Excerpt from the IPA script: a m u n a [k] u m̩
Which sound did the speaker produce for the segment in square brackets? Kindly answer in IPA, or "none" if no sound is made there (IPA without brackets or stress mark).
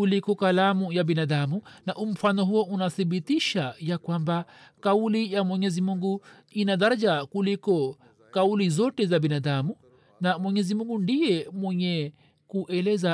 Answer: ʔ